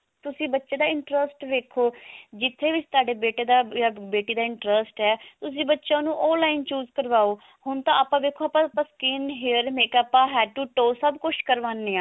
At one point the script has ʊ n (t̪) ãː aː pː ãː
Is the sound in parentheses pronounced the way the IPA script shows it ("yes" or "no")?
yes